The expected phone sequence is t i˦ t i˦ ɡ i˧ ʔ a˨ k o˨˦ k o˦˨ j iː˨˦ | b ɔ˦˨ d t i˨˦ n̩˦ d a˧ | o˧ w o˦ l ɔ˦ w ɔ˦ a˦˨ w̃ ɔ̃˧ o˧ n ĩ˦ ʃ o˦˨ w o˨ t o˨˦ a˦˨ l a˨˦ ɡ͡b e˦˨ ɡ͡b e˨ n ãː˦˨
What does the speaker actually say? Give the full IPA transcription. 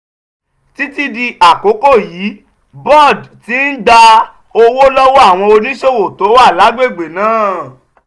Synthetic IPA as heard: t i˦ t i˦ d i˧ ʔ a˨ k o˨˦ k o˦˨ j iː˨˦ | b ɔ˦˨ d t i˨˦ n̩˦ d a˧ | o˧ w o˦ l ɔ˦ w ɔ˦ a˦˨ w̃ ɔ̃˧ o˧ n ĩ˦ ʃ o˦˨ w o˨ t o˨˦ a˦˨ l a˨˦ ɡ͡b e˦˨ ɡ͡b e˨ n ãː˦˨